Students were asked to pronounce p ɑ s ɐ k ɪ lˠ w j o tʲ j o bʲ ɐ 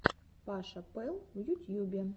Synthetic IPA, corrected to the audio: p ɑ ʃ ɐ p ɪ lˠ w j u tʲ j u bʲ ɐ